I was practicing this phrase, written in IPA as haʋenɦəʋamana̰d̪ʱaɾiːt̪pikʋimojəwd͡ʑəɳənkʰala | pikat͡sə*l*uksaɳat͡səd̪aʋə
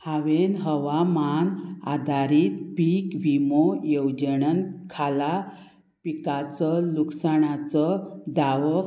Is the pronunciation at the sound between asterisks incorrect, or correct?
correct